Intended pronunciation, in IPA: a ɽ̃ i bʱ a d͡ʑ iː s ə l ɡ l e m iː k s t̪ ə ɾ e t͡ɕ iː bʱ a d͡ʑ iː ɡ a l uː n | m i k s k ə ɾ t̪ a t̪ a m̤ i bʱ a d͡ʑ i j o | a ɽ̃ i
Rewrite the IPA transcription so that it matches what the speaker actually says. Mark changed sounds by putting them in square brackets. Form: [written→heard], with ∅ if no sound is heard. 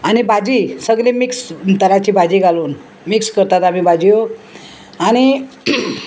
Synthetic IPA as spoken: a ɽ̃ i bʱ a d͡ʑ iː s ə [l→∅] ɡ l e m [iː→i] k s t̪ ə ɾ [e→a] t͡ɕ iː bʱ a d͡ʑ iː ɡ a l uː n | m i k s k ə ɾ t̪ a t̪ a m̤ i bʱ a d͡ʑ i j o | a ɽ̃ i